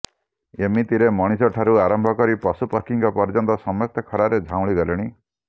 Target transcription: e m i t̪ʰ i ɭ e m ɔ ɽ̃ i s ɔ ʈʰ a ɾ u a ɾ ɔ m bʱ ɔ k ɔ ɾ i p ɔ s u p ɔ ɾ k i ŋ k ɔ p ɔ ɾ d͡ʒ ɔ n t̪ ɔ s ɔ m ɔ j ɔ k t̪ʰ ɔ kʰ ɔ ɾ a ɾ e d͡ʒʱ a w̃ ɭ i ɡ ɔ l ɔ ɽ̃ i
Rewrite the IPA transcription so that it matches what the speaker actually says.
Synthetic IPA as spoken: e m i t̪ i ɾ e m ɔ ɽ̃ i s ɔ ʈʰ a ɾ u a ɾ ɔ m bʱ ɔ k ɔ ɾ i p ɔ s u p ɔ ɾ k i ŋ k ɔ p ɔ ɾ d͡ʒ ɔ n t̪ ɔ s ɔ m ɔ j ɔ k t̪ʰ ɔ kʰ ɔ ɾ a ɾ e d͡ʒʱ a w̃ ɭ i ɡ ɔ l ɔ ɽ̃ i